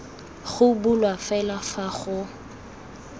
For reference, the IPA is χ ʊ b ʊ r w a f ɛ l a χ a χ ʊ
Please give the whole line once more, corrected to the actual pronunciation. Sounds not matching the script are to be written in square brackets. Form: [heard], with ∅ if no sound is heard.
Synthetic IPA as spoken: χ ʊ b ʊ [l] w a f ɛ l a [f] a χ ʊ